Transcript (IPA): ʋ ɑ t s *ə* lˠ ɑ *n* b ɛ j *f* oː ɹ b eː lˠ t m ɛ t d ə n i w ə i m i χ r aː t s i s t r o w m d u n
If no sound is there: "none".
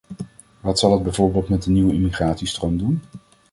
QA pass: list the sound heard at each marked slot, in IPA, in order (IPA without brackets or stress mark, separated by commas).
ɑ, d, v